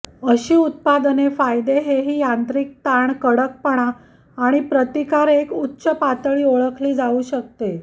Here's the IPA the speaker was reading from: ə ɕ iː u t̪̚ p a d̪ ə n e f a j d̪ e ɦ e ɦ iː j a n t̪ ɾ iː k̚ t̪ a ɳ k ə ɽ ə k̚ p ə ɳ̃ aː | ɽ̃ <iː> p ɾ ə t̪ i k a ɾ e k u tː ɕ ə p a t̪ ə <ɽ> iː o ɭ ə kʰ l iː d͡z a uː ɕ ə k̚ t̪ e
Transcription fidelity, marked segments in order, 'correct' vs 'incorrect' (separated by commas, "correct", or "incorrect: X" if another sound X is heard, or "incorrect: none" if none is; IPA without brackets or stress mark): incorrect: i, incorrect: ɭ